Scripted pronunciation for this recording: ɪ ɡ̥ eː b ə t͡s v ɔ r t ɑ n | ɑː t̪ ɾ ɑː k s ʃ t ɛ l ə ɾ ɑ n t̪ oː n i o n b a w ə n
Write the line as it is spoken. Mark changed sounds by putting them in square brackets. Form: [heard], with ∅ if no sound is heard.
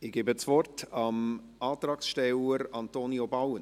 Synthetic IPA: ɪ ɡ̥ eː b ə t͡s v ɔ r t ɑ [m] | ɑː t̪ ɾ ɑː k s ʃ t ɛ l ə ɾ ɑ n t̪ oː n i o [∅] b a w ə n